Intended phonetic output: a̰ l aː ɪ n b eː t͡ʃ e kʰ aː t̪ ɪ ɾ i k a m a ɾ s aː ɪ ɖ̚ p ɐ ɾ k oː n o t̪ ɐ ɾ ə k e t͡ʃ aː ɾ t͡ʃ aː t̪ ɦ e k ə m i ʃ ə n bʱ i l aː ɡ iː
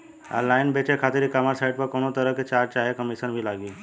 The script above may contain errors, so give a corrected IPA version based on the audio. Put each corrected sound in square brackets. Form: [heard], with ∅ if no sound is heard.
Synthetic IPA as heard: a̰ l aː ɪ n b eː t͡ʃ e kʰ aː t̪ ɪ ɾ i k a m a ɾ s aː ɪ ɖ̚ p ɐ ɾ k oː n o t̪ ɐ ɾ ə k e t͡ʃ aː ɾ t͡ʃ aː [∅] ɦ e k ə m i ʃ ə n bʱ i l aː ɡ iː